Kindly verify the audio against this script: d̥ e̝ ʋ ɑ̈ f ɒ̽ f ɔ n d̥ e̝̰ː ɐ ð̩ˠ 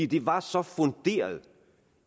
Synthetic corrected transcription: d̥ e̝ ʋ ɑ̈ s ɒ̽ f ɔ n d̥ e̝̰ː ɐ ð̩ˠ